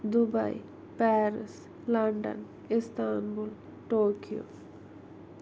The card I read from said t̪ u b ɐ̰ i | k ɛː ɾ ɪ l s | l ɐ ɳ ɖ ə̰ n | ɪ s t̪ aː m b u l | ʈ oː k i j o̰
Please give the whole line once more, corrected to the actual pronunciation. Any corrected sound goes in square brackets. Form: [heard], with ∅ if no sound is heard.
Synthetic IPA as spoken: [d̪] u b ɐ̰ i | [p] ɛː ɾ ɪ [∅] s | l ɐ ɳ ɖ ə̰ n | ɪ s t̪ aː [n] b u l | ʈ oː k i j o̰